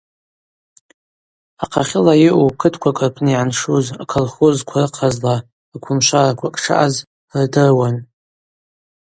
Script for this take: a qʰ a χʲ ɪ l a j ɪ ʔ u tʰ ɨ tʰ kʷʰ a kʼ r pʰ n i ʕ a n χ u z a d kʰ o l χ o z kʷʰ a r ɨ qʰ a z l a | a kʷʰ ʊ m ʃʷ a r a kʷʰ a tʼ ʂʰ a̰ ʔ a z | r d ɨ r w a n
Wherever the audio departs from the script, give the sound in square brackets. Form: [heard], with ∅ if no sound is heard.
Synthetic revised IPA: a qʰ a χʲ ɪ l a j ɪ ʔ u [kʰ] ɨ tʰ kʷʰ a kʼ r pʰ n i ʕ a n [ʂ] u z a [∅] kʰ o l χ o z kʷʰ a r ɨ qʰ a z l a | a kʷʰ ʊ m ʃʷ a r a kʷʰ a [kʼ] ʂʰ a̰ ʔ a z | r d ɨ r w a n